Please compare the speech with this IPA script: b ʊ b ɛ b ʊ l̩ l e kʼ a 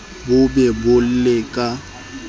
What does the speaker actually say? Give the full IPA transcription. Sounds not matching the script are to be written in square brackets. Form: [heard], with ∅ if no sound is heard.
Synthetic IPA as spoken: b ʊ b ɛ b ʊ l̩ l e kʼ a